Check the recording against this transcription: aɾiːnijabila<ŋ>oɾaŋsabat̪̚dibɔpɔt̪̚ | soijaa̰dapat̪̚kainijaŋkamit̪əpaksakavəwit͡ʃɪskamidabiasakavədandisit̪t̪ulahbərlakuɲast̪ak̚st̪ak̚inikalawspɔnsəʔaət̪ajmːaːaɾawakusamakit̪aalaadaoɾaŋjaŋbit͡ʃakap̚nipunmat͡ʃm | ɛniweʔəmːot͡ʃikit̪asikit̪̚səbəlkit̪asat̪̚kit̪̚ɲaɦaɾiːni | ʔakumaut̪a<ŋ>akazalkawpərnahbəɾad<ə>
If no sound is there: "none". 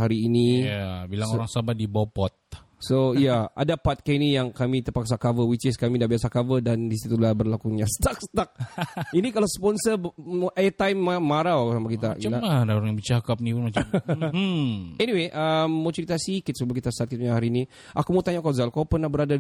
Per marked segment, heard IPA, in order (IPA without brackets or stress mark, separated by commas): ŋ, ɲ, a